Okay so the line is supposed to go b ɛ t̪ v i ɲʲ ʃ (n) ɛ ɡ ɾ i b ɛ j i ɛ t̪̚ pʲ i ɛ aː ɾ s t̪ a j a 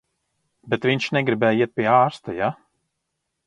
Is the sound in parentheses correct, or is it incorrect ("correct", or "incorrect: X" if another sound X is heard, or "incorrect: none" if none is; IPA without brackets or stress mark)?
correct